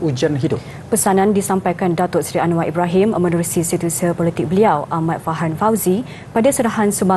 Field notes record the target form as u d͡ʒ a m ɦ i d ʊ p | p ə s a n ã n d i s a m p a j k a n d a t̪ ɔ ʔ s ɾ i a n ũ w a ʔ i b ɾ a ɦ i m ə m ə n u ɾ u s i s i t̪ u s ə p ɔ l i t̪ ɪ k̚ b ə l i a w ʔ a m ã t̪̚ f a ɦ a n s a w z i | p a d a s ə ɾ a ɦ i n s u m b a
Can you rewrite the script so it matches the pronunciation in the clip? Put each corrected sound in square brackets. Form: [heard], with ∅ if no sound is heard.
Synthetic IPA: u d͡ʒ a [n] ɦ i d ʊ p | p ə s a n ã n d i s a m p a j k a n d a t̪ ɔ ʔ s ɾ i a n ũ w a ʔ i b ɾ a ɦ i m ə m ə n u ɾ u s i s i t̪ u s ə p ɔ l i t̪ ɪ k̚ b ə l i a w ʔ a m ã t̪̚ f a ɦ a n [f] a w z i | p a d a s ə ɾ a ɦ [a] n s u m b a